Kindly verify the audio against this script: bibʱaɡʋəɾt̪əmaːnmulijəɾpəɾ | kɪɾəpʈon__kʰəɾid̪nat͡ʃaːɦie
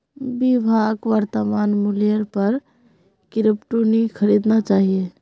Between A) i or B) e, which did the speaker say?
A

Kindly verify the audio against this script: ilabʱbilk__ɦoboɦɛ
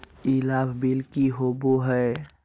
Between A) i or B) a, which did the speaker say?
A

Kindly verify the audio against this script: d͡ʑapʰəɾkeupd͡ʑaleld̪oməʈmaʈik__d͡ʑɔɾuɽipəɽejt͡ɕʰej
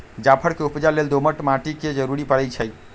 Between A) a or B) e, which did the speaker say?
B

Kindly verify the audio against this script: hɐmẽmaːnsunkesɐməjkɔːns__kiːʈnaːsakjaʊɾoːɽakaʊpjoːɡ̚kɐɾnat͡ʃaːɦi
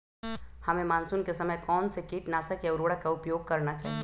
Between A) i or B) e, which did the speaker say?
B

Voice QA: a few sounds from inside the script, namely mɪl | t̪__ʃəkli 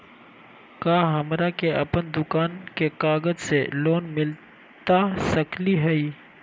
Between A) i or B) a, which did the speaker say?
B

